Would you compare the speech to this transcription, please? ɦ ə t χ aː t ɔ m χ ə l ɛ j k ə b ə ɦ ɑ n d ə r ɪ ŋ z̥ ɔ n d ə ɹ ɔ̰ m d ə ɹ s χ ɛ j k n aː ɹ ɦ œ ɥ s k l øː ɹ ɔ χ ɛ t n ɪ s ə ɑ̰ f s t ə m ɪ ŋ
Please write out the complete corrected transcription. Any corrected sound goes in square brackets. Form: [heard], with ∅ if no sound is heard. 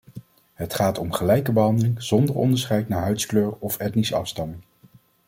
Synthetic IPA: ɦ ə t χ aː t ɔ m χ ə l ɛ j k ə b ə ɦ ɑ n d ə [l] ɪ ŋ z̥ ɔ n d ə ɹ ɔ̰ [n] d ə ɹ s χ ɛ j [t] n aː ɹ ɦ œ ɥ s k l øː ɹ ɔ [f] ɛ t n [i] s ə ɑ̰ f s t [ɑ] m ɪ ŋ

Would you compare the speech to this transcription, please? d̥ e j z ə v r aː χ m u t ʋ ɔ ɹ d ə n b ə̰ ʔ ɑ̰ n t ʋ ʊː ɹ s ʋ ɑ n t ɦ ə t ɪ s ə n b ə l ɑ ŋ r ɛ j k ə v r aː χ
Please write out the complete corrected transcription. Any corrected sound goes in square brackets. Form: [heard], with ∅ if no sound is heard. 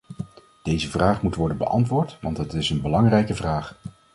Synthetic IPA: d̥ e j z ə v r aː χ m u t ʋ ɔ ɹ d ə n b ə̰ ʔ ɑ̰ n t ʋ ʊː ɹ [t] ʋ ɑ n t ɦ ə t ɪ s ə n b ə l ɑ ŋ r ɛ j k ə v r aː χ

